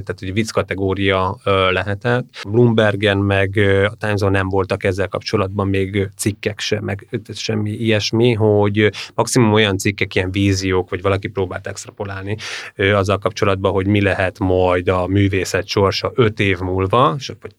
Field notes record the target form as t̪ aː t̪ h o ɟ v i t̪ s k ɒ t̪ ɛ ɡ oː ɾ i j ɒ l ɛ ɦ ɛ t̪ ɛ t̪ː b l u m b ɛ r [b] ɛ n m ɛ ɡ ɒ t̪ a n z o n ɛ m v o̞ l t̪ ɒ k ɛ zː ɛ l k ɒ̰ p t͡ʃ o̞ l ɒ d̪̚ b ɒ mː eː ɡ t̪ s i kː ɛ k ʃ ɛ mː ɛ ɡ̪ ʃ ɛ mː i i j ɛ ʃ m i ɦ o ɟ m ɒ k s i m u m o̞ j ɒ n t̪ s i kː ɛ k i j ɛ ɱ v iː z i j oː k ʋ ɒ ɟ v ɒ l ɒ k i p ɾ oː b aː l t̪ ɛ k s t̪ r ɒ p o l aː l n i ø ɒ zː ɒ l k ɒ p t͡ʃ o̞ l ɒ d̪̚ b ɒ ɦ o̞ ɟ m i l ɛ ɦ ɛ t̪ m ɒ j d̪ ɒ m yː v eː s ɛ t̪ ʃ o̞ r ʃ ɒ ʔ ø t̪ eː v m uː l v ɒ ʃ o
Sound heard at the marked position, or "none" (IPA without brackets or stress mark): ɡ